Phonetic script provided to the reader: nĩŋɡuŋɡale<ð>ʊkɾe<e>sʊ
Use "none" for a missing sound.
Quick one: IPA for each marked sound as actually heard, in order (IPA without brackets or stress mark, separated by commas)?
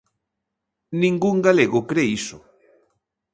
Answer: ɣ, i